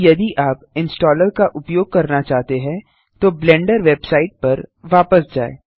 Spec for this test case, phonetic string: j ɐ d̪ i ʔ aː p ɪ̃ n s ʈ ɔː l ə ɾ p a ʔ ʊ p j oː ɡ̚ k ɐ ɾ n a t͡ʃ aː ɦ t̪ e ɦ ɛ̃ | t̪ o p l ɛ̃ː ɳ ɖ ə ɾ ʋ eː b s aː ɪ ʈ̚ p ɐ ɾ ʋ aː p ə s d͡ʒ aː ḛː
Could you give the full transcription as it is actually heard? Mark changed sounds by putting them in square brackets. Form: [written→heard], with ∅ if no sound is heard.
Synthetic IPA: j ɐ d̪ i ʔ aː p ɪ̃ n s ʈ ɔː l ə ɾ [p→k] a ʔ ʊ p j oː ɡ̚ k ɐ ɾ n a t͡ʃ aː ɦ t̪ e ɦ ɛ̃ | t̪ o [p→b] l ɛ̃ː ɳ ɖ ə ɾ ʋ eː b s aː ɪ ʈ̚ p ɐ ɾ ʋ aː p ə s d͡ʒ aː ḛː